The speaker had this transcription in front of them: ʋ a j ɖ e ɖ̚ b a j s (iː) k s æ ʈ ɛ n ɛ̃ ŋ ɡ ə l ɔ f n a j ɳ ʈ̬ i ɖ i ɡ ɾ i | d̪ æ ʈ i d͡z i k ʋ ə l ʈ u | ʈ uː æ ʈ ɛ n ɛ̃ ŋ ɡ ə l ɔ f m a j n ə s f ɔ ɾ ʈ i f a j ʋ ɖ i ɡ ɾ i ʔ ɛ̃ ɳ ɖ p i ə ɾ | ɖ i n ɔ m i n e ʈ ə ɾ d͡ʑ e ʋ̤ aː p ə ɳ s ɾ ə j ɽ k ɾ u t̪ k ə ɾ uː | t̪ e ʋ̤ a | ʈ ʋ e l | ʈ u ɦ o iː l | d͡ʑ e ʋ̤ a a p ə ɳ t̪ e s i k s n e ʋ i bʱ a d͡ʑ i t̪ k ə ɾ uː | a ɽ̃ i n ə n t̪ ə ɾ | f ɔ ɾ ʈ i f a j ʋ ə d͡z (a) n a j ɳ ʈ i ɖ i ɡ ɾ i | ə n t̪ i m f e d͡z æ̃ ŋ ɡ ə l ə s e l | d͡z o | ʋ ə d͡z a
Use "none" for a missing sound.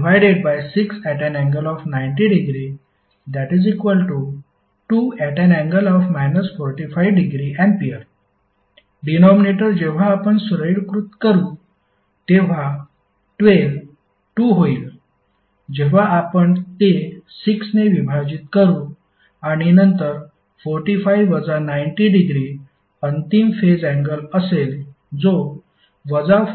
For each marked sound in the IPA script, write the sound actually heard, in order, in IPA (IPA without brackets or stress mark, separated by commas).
i, a